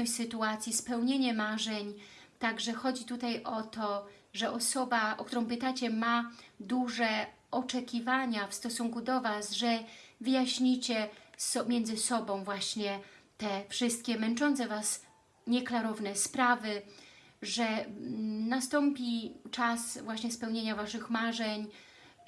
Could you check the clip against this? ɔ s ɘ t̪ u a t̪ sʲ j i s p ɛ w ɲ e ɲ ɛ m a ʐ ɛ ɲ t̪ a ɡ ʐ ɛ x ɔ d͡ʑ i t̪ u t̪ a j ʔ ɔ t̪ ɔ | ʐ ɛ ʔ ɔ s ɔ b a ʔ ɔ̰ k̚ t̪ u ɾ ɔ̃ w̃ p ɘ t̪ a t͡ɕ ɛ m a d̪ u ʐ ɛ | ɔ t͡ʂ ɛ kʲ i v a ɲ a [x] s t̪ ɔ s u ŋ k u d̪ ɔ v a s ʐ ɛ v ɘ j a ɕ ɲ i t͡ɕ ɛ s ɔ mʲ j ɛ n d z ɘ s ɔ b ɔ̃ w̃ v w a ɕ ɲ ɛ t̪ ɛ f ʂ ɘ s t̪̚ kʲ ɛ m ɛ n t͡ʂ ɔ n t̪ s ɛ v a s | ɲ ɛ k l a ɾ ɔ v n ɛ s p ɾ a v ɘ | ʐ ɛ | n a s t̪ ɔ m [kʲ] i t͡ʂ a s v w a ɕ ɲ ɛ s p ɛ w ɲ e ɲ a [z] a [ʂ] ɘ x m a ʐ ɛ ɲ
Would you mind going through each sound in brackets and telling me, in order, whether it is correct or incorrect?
incorrect: f, incorrect: pʲ, incorrect: v, correct

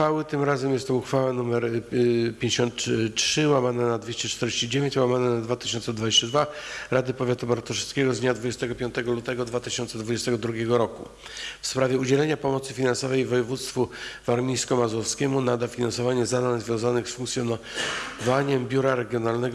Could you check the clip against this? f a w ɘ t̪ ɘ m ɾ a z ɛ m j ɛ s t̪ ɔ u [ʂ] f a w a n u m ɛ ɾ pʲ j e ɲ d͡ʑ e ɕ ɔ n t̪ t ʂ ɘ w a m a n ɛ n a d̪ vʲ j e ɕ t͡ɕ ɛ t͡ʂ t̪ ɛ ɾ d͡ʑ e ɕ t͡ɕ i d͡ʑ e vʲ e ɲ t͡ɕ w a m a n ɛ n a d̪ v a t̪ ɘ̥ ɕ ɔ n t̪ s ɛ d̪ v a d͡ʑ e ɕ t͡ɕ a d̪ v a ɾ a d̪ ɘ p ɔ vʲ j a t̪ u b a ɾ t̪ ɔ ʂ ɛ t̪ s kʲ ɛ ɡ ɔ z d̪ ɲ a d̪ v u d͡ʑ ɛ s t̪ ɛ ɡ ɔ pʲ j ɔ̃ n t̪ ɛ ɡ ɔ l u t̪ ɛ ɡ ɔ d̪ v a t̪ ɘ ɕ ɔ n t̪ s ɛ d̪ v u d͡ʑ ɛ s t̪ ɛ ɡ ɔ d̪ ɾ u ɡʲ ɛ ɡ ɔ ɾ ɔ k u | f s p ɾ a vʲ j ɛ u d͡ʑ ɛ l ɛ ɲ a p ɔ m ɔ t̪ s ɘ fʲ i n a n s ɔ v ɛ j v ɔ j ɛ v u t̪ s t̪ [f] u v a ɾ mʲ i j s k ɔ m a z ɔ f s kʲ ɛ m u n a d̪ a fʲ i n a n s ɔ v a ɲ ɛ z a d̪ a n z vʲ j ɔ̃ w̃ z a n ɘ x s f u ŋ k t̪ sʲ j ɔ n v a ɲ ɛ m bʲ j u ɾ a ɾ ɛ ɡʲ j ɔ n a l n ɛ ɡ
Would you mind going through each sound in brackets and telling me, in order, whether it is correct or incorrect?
incorrect: x, correct

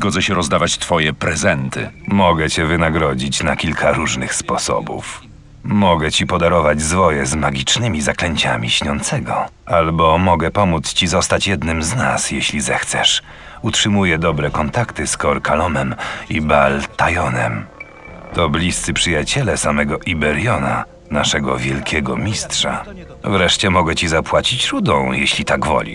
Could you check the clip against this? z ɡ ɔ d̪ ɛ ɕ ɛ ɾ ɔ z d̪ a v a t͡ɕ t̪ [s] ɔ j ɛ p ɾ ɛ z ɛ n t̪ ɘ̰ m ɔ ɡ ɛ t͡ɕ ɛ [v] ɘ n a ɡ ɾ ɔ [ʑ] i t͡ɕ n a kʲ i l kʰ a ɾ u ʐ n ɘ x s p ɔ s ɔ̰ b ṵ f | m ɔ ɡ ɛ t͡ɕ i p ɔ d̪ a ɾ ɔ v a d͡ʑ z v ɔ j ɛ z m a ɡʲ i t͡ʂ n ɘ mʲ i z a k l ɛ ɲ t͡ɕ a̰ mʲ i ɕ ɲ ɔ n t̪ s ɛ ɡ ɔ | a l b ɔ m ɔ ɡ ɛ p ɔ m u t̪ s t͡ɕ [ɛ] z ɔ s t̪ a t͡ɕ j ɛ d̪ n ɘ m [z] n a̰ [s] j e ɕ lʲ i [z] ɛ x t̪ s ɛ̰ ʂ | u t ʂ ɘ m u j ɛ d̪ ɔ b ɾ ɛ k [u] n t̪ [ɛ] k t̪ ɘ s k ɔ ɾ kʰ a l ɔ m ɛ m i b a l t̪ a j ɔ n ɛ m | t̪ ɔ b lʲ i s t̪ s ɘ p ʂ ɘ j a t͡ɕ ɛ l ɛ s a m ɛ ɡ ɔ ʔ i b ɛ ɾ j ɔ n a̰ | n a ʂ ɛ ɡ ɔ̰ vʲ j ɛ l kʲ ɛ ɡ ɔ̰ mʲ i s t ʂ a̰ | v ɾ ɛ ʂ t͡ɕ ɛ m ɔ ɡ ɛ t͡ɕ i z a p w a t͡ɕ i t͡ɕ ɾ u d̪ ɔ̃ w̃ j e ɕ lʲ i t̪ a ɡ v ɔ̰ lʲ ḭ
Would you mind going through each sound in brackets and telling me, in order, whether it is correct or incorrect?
incorrect: f, correct, incorrect: d͡ʑ, incorrect: i, correct, correct, correct, incorrect: ɔ, incorrect: a

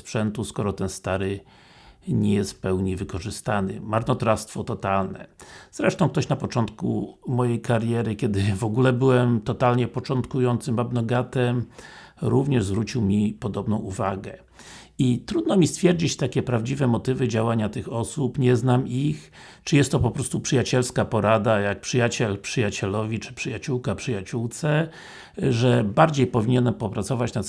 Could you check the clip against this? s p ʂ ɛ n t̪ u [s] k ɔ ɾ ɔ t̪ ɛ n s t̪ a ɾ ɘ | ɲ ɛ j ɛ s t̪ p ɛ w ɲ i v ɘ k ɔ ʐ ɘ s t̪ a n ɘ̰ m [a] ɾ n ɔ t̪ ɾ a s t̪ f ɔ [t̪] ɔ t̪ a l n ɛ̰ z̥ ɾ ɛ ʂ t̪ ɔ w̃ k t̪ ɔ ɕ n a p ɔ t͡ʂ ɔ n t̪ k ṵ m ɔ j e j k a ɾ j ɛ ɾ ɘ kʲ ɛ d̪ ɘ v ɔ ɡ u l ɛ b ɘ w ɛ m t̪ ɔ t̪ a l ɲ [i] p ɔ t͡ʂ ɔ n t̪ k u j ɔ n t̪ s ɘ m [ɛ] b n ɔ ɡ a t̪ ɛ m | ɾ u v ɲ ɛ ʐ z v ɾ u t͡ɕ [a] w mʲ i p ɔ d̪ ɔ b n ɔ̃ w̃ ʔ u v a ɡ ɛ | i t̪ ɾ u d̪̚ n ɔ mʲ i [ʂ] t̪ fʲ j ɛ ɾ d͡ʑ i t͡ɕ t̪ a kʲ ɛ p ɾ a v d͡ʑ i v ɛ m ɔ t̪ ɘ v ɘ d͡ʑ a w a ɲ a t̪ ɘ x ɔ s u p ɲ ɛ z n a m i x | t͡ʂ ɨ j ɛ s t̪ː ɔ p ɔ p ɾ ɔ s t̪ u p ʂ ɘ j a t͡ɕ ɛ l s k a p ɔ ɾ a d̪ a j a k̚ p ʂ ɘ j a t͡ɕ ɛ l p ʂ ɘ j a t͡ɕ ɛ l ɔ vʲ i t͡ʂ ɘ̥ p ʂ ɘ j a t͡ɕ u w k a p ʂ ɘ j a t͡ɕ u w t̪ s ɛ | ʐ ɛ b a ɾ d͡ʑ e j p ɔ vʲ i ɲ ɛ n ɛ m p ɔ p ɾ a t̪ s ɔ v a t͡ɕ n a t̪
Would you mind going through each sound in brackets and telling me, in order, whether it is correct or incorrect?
correct, correct, correct, incorrect: ɛ, incorrect: a, incorrect: i, incorrect: s

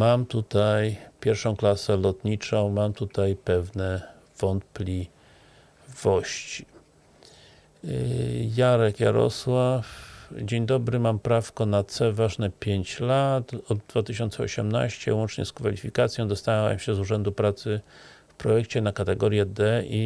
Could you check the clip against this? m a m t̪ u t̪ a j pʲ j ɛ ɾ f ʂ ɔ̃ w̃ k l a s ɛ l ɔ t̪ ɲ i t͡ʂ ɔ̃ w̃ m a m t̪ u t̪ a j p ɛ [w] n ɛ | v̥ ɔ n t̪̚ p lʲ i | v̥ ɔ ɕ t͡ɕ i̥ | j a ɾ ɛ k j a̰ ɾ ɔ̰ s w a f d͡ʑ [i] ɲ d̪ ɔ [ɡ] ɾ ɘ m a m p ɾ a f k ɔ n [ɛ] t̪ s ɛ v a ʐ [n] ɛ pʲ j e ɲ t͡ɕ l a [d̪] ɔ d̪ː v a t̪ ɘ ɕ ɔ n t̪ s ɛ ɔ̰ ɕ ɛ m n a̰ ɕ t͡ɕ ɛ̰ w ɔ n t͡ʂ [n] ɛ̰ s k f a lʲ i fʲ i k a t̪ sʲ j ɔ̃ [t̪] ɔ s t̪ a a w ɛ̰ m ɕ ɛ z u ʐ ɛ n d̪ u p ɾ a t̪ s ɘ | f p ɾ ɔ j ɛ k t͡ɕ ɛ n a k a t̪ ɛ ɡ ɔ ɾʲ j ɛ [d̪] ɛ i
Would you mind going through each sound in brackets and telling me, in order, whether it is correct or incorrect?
incorrect: v, incorrect: e, incorrect: b, incorrect: a, correct, incorrect: t̪, incorrect: ɲ, incorrect: d̪, correct

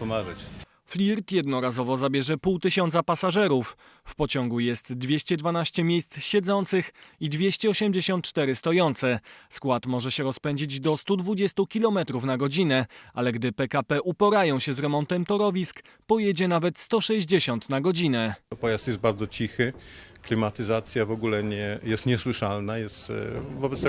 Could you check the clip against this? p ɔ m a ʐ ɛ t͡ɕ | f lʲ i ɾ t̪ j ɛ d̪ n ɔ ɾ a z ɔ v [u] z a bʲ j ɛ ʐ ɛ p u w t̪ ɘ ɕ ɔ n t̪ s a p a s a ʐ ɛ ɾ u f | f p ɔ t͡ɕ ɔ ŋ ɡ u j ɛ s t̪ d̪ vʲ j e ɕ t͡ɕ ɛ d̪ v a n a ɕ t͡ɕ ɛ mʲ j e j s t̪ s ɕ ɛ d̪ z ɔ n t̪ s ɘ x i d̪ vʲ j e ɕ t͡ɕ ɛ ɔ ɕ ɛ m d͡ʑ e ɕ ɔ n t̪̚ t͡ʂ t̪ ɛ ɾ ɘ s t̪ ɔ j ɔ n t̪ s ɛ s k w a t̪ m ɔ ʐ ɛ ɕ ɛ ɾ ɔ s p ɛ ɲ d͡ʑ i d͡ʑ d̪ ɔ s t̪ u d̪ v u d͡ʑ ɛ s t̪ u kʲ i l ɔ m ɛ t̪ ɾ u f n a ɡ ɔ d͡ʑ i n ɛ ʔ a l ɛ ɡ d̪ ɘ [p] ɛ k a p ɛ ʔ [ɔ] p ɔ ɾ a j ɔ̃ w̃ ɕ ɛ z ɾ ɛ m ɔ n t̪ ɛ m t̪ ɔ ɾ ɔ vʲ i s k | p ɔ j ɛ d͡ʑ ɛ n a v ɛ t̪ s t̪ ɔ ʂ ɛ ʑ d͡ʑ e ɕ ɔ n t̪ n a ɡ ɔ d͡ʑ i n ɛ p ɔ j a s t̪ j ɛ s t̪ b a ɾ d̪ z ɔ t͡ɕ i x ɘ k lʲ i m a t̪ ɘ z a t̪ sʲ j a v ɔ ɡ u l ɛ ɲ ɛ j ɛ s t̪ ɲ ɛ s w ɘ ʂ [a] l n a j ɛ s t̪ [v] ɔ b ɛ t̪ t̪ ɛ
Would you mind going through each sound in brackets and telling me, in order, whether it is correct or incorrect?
incorrect: ɔ, correct, incorrect: u, correct, correct

